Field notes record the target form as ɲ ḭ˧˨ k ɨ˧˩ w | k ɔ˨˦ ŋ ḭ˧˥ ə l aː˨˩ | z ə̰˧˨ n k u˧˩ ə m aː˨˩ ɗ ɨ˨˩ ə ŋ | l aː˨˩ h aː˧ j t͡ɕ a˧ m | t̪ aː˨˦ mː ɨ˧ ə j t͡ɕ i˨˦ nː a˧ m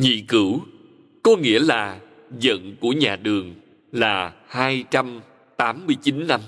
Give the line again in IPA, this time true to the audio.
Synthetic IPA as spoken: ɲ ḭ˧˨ k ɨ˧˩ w | k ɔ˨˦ ŋ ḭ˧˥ ə l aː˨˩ | z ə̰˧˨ n k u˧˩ ə ɲ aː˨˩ ɗ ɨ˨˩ ə ŋ | l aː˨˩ h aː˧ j t͡ɕ a˧ m | t̪ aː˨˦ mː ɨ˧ ə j t͡ɕ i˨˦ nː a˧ m